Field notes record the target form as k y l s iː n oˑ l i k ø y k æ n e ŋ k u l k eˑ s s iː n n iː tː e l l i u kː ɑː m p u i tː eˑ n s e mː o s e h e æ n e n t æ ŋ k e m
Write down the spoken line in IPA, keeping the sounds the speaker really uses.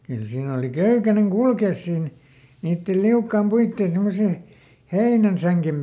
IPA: k y l s iː n oˑ l i k ø y k æ n e ŋ k u l k eˑ s s iː n n iː tː e l l i u kː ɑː m p u i tː eˑ n s e mː o s e h e i n æ n s æ ŋ k e m

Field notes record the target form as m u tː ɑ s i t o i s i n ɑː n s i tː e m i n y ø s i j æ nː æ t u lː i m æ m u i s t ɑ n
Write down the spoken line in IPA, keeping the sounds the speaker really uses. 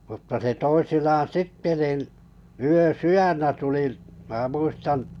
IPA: m u tː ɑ s e t o i s i n ɑː n s i tː e n i n y ø s y j æ nː æ t u l i m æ m u i s t ɑ n

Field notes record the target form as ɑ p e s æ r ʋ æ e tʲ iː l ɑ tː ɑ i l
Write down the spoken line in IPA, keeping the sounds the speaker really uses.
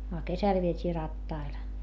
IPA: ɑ k e s æ l ʋ i e tʲ iː r ɑ tː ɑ i l

